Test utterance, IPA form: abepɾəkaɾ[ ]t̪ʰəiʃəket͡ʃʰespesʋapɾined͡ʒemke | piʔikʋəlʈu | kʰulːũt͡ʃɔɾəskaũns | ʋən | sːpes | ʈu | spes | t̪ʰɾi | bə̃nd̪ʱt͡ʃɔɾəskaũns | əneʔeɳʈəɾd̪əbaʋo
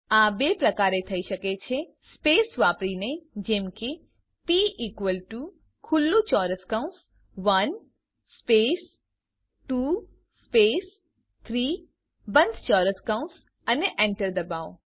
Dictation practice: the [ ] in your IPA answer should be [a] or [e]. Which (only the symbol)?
e